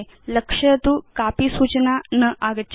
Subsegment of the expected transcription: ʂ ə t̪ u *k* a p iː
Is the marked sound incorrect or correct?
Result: correct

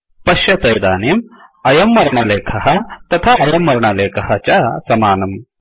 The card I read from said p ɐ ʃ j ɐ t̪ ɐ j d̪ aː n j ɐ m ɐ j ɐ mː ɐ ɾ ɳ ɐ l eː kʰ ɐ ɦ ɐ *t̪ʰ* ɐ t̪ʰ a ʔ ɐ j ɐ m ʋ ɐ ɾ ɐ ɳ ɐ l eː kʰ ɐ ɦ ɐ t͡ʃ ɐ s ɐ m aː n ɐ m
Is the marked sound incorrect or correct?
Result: incorrect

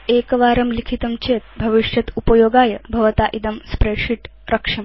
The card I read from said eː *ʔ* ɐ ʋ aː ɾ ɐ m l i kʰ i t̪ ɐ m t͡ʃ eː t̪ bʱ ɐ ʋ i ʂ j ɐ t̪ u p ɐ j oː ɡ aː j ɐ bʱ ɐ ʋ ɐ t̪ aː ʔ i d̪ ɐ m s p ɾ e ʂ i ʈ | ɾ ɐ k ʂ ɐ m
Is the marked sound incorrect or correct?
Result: incorrect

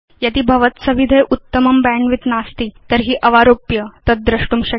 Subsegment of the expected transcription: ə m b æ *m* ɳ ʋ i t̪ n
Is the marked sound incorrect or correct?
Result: incorrect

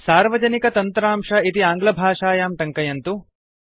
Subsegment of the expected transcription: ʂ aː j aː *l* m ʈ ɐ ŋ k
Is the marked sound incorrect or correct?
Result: incorrect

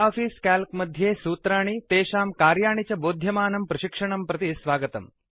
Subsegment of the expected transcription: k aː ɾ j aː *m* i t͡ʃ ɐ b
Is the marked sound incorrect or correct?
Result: incorrect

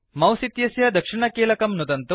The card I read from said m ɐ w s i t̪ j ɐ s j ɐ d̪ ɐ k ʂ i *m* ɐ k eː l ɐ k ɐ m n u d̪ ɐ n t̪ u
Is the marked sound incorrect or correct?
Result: incorrect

